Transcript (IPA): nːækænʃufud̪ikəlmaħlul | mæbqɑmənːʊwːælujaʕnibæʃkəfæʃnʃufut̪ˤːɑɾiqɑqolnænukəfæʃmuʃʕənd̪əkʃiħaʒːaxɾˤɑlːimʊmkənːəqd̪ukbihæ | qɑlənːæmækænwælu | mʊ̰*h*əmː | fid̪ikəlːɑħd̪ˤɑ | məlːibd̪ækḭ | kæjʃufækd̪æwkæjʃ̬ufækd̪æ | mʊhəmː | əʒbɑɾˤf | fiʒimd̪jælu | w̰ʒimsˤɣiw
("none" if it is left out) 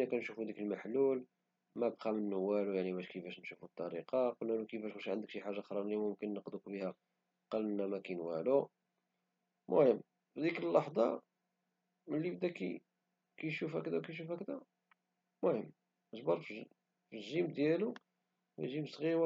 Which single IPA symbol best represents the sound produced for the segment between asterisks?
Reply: h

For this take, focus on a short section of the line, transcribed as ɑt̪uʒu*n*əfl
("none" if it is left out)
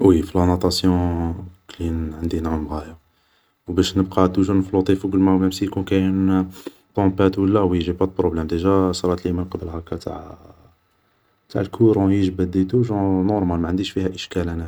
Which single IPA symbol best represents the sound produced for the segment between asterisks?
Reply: n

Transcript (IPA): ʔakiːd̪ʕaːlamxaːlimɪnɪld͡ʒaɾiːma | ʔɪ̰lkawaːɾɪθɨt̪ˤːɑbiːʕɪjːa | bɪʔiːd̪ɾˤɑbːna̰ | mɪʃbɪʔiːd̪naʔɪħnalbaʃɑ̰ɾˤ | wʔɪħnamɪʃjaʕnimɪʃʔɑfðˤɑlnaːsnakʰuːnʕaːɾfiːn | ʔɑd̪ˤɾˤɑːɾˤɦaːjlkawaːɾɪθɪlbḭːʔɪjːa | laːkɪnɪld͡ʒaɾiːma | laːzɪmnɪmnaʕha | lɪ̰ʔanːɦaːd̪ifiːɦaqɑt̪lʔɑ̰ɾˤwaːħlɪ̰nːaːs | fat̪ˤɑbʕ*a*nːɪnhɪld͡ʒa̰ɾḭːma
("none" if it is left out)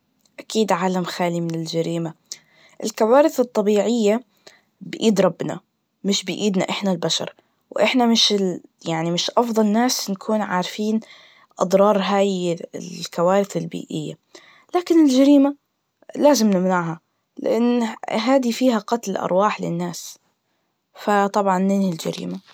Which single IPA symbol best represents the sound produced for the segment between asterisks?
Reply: ɑ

